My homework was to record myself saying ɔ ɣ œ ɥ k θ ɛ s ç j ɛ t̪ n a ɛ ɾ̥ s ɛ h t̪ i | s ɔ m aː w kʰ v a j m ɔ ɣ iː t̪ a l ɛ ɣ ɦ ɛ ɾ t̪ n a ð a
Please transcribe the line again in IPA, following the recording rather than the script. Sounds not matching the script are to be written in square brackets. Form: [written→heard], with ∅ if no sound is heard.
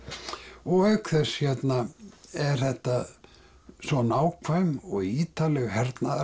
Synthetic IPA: ɔ ɣ œ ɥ k θ ɛ s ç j ɛ t̪ n a ɛ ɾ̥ [s→θ] ɛ h t̪ [i→a] | s ɔ [m→n] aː w kʰ v a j m ɔ ɣ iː t̪ a l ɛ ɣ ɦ ɛ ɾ t̪ n a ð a